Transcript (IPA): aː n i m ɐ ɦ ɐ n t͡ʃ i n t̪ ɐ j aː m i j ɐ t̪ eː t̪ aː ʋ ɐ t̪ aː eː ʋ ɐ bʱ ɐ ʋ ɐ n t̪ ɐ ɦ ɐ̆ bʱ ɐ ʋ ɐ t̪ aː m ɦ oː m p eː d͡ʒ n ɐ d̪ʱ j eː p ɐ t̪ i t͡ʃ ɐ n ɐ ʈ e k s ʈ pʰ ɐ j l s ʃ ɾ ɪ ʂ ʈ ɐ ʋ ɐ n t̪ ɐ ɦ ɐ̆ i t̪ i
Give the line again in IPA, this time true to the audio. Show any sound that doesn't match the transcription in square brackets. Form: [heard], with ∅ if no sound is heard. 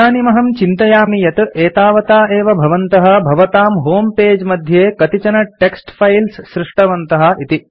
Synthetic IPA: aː n i m ɐ ɦ ɐ [m] t͡ʃ i n t̪ ɐ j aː m i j ɐ t̪ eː t̪ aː ʋ ɐ t̪ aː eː ʋ ɐ bʱ ɐ ʋ ɐ n t̪ ɐ ɦ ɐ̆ bʱ ɐ ʋ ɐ t̪ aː m ɦ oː m p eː d͡ʒ [m] ɐ d̪ʱ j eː [k] ɐ t̪ i t͡ʃ ɐ n ɐ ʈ e k s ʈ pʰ ɐ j l s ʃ ɾ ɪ ʂ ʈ ɐ ʋ ɐ n t̪ ɐ ɦ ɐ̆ i t̪ i